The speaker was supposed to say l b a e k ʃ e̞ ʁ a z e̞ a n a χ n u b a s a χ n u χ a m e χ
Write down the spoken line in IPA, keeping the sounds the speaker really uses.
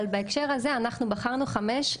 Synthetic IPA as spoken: l b a e k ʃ e̞ ʁ a z e̞ a n a χ n u b a χ a ʁ n u χ a m e ʃ